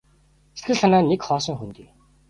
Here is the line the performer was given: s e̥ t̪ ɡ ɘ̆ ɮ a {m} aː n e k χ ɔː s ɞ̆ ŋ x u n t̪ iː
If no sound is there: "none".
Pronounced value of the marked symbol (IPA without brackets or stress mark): n